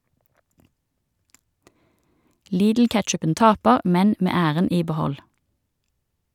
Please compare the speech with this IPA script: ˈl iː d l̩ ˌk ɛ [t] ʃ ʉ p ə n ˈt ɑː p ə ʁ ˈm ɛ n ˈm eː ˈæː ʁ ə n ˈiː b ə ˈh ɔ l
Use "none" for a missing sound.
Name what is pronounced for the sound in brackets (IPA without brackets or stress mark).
t